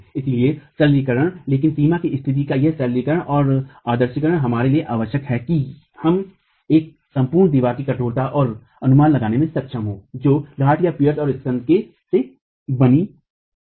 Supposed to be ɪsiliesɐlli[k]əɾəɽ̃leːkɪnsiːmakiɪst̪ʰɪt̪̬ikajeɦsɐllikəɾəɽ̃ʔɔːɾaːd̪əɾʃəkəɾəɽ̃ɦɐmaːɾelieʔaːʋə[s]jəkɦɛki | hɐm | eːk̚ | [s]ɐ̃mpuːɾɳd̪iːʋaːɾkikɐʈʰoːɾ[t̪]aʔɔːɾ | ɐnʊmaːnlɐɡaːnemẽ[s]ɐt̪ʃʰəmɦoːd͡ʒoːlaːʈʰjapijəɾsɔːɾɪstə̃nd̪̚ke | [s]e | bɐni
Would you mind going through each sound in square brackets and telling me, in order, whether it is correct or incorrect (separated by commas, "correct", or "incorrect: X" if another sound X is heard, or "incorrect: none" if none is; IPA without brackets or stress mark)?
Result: correct, incorrect: ʃ, correct, correct, correct, correct